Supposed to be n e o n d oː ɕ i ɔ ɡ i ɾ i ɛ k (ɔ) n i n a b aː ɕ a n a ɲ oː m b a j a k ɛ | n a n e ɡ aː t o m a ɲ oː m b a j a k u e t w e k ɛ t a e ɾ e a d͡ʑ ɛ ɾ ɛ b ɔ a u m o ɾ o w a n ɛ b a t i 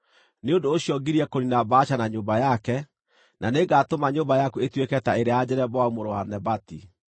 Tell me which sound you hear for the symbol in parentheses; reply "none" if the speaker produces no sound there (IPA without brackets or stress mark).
o